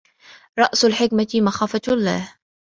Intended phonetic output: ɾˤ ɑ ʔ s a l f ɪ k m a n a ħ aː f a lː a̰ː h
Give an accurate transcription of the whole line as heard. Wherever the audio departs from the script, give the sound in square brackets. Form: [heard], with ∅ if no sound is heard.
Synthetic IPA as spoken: ɾˤ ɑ ʔ s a l [ħ] ɪ k m a [m] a [x] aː f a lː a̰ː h